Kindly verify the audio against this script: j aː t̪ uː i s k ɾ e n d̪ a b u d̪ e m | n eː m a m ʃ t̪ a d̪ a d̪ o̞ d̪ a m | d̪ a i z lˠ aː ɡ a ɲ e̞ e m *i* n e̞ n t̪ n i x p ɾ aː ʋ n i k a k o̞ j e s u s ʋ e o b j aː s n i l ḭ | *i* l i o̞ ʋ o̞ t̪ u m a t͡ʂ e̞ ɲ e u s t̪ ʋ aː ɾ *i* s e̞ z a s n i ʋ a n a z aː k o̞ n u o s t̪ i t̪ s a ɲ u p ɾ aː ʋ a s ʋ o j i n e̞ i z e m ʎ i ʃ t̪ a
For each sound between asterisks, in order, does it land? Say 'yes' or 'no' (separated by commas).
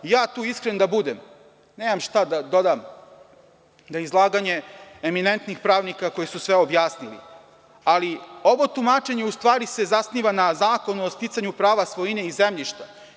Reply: yes, no, yes